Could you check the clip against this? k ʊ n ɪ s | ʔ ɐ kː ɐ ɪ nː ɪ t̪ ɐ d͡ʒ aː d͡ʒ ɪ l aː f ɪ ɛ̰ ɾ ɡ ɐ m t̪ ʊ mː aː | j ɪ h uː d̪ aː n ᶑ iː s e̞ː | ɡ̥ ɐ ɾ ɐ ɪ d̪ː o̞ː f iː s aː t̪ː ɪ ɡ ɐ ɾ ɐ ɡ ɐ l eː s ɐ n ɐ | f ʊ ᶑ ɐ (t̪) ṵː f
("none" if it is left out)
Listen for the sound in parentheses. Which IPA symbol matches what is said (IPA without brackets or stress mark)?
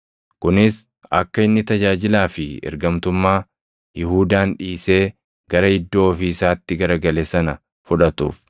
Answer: t̪